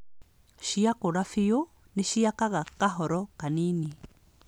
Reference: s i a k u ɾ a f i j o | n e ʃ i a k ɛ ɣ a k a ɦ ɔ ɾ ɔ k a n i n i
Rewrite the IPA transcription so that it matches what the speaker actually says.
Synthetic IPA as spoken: ʃ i a k o ɾ a f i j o | n e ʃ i a k a ɣ a k a ɦ ɔ ɾ ɔ k a n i n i